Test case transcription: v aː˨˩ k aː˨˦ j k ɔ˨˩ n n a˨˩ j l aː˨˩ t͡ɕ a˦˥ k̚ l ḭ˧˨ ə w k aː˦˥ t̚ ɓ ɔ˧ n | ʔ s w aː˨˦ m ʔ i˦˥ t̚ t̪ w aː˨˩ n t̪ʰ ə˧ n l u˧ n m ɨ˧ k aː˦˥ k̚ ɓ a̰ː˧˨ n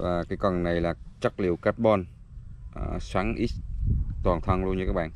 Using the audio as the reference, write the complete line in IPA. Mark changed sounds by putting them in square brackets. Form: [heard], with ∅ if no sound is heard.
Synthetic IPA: v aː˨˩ k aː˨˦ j k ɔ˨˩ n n a˨˩ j l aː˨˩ t͡ɕ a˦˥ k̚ l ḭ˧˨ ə w k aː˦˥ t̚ ɓ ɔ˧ n | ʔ s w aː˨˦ [ŋ] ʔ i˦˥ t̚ t̪ w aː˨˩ n t̪ʰ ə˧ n l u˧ n [ɲ] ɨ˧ k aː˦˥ k̚ ɓ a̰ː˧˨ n